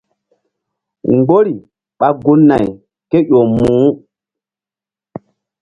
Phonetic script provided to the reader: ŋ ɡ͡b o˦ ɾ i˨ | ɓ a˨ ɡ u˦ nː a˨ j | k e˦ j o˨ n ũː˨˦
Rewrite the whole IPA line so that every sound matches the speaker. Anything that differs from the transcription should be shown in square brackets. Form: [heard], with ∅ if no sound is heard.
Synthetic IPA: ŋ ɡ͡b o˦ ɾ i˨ | ɓ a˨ ɡ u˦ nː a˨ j | k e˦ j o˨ [m] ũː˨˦